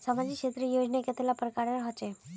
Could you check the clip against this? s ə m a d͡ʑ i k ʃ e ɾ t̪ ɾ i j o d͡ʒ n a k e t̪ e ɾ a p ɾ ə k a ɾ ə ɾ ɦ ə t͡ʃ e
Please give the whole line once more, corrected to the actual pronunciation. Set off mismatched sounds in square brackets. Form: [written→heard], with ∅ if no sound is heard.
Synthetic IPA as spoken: s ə m a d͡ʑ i k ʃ e [ɾ→∅] t̪ ɾ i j o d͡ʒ n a k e t̪ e [ɾ→l] a p ɾ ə k a ɾ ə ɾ ɦ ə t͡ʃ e